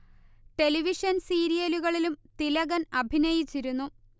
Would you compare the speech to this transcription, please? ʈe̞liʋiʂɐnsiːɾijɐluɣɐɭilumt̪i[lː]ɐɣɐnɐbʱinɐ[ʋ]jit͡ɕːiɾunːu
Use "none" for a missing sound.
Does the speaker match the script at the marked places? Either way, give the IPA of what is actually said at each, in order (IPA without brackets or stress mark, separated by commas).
l, none